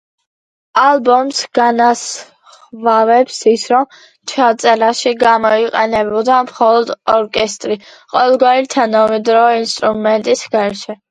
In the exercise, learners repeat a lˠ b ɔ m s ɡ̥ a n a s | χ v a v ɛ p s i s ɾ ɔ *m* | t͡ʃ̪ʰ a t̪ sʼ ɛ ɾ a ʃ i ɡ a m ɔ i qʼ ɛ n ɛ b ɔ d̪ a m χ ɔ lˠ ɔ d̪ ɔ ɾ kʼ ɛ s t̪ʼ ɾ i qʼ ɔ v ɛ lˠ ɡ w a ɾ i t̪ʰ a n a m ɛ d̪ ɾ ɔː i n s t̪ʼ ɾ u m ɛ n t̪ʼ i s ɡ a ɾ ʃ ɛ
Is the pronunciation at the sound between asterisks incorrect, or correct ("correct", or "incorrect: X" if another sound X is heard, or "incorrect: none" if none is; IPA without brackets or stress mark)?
correct